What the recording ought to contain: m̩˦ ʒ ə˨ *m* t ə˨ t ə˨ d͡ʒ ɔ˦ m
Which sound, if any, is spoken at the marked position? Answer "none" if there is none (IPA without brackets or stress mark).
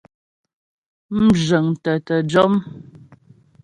ŋ